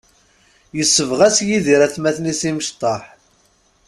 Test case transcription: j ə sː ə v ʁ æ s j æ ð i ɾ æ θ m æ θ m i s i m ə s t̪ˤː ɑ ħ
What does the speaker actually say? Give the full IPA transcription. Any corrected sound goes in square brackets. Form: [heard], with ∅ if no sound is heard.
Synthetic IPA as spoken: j ə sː ə v ʁ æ s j [i] ð i ɾ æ θ m æ θ [n] i s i m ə [ʃ] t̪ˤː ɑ ħ